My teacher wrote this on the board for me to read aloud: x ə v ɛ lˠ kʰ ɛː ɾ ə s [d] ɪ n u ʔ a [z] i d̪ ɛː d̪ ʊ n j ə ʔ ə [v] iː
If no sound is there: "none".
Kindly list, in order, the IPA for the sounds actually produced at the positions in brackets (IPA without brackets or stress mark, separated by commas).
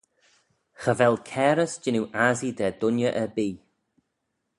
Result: d͡ʒ, z, b